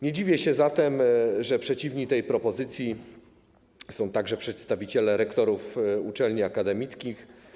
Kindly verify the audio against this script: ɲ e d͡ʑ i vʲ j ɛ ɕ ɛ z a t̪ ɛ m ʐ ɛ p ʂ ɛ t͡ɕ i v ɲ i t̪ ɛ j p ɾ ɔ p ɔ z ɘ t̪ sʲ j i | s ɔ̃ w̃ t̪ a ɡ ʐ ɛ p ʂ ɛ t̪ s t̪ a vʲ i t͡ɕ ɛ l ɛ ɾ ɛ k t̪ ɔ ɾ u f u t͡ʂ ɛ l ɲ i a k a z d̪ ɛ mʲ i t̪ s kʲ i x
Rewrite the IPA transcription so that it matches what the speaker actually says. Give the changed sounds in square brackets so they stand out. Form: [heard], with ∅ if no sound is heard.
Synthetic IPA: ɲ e d͡ʑ i vʲ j ɛ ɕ ɛ z a t̪ ɛ m ʐ ɛ p ʂ ɛ t͡ɕ i v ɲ i t̪ ɛ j p ɾ ɔ p ɔ z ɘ t̪ sʲ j i | s ɔ̃ w̃ t̪ a ɡ ʐ ɛ p ʂ ɛ t̪ s t̪ a vʲ i t͡ɕ ɛ l ɛ ɾ ɛ k t̪ ɔ ɾ u f u t͡ʂ ɛ l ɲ i a k a [∅] d̪ ɛ mʲ i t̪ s kʲ i x